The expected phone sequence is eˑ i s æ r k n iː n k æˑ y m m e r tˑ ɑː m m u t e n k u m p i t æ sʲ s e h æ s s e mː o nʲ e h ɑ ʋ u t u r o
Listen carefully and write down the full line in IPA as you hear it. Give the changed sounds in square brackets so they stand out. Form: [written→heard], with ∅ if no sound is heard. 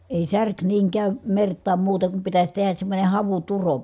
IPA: eˑ i s æ r k n iː [n→ŋ] k æˑ y m m e r tˑ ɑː m m [u→uː] t e [n→ŋ] k u m p i t æ sʲ [s→t] e h æ s s e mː o nʲ e h ɑ ʋ u t u r o